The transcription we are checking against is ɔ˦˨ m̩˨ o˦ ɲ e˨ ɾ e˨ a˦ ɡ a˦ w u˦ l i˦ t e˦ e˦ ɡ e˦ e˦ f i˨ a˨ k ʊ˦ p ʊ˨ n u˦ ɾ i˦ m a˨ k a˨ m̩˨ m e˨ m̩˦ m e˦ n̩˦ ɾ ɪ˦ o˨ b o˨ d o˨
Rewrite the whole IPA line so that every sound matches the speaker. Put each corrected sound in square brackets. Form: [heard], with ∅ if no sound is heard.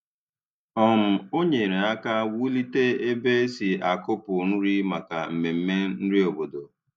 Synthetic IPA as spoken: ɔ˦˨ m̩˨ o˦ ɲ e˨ ɾ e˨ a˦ [k] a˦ w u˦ l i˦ t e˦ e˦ [b] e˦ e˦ [s] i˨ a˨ k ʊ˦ p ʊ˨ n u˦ ɾ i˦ m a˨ k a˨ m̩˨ m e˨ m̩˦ m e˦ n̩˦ ɾ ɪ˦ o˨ b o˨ d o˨